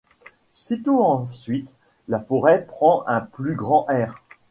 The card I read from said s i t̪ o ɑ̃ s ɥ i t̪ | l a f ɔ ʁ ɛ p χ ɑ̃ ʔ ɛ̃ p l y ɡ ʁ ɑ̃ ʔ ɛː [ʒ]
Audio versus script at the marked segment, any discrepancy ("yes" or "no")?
yes